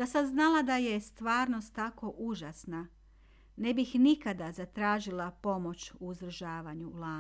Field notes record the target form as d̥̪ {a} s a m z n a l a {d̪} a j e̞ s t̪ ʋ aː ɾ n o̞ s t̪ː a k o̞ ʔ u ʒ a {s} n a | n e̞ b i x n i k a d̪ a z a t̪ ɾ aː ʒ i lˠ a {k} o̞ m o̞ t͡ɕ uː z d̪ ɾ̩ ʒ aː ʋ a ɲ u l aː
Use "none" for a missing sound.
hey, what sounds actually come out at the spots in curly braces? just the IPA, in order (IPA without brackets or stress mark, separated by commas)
a, d̪, s, p